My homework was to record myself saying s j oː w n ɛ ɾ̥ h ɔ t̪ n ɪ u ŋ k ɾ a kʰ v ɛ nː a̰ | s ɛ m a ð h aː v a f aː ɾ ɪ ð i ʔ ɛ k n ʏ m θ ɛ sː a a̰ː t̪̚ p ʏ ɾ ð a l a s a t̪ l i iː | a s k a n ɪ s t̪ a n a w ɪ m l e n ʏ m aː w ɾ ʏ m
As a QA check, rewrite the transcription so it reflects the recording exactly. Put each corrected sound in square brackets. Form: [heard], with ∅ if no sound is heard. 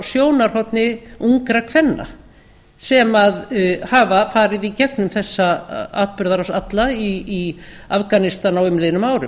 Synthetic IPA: s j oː w n [a] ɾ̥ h ɔ t̪ n ɪ u ŋ k ɾ a kʰ v ɛ nː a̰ | s ɛ m a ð h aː v a f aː ɾ ɪ ð i [c] ɛ k n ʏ m θ ɛ sː a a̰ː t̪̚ p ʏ ɾ ð a [ɾ] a s a t̪ l [a] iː | a [f] k a n ɪ s t̪ a n a w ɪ m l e n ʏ m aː w ɾ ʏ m